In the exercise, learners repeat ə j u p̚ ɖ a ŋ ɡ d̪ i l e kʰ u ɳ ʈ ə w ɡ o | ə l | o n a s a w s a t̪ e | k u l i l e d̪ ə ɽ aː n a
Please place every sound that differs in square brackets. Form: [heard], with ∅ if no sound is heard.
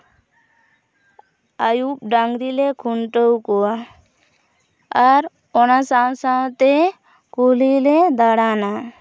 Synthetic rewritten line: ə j u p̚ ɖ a ŋ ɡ d̪ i l e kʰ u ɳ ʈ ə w [k] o | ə [ɾ] | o n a s a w s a t̪ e | k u l i l e d̪ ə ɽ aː n a